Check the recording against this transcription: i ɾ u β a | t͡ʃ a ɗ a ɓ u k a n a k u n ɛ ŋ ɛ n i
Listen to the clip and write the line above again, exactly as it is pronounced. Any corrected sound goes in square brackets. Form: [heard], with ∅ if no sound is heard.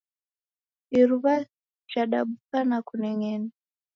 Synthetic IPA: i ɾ u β a | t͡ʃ a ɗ a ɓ u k a n a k u n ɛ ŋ ɛ n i